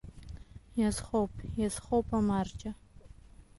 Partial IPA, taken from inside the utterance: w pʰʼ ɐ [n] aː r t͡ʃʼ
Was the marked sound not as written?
yes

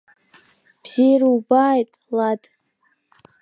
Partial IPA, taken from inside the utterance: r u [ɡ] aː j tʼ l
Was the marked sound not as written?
yes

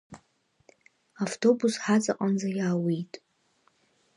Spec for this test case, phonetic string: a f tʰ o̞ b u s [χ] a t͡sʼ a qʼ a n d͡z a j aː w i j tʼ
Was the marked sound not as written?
yes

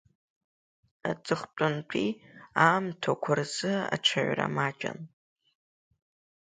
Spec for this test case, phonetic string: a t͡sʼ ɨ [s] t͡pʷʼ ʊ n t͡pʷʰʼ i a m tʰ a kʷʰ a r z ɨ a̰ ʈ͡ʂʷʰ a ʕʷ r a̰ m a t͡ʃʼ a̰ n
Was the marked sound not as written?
yes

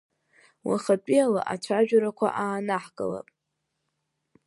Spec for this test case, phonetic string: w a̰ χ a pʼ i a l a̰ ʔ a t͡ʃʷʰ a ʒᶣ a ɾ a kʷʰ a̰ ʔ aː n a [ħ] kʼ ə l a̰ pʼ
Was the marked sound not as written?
no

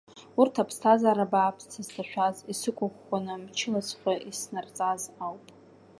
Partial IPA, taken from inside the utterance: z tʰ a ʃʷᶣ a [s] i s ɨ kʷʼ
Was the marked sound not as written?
yes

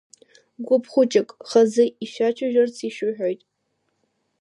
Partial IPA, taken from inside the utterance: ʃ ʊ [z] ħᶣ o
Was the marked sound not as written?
yes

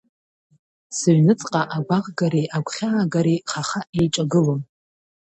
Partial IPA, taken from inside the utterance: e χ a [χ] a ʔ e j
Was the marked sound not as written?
no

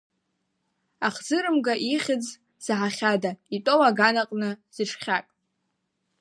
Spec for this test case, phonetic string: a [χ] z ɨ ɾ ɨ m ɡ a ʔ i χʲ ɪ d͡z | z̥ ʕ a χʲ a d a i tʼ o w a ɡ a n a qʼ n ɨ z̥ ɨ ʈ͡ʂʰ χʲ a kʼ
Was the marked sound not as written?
no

